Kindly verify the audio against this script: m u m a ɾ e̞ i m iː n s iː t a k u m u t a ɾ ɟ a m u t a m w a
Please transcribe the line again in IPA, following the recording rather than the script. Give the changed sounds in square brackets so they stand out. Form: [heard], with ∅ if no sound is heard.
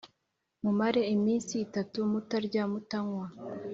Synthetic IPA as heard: m u m a ɾ e̞ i m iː n s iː t a [t] u m u t a ɾ ɟ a m u t a [ŋ] w a